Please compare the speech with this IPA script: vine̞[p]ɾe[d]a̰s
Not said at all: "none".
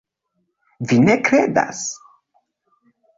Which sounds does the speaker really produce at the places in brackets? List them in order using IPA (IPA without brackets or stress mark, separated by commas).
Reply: k, d